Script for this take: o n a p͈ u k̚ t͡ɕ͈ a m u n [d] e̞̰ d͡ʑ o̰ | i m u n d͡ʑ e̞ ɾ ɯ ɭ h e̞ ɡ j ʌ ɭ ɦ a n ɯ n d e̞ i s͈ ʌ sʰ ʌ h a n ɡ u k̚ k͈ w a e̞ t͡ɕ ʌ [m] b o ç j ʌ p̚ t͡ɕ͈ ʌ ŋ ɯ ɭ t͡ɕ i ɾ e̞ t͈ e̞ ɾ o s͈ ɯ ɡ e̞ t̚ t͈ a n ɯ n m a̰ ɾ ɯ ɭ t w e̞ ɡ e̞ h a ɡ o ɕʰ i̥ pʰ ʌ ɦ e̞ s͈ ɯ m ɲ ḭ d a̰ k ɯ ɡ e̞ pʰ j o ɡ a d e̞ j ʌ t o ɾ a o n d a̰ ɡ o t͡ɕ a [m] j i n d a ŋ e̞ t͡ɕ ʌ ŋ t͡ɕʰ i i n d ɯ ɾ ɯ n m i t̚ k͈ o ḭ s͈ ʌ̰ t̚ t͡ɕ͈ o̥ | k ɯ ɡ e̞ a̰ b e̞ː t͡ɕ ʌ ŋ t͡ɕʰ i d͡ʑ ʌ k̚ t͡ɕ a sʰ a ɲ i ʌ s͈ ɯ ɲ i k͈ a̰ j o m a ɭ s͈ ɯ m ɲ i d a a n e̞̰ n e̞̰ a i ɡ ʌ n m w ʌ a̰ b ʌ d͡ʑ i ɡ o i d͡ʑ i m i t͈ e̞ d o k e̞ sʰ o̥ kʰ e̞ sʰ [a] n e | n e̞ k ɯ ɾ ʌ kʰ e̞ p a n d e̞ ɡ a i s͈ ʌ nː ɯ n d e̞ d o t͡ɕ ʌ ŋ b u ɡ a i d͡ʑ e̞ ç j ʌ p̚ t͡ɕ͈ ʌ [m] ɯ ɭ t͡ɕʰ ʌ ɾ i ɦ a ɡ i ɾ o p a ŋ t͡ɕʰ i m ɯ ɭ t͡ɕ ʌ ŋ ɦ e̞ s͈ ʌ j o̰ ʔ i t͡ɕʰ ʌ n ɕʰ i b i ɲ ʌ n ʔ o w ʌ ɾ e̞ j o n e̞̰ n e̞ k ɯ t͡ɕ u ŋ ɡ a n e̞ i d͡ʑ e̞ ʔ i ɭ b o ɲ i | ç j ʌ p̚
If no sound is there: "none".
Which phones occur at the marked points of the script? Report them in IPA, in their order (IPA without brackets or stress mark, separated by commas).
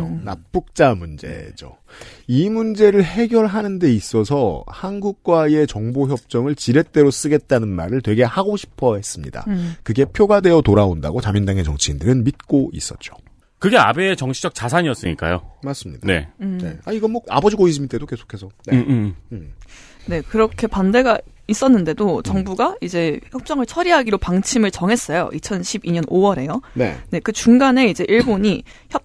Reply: d͡ʑ, ŋ, m, ʌ, ŋ